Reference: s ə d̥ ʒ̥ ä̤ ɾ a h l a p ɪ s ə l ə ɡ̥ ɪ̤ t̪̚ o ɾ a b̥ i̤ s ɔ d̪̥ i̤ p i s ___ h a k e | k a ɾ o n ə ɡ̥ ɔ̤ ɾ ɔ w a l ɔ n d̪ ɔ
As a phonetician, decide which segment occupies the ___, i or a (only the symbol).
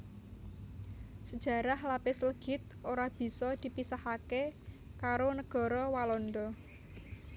a